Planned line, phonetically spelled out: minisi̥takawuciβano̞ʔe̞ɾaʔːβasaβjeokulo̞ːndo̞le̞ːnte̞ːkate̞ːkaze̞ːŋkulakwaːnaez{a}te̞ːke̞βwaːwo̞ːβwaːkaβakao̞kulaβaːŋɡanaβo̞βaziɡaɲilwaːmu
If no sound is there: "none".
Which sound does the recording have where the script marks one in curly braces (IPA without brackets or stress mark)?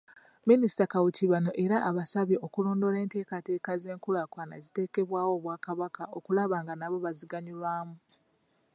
i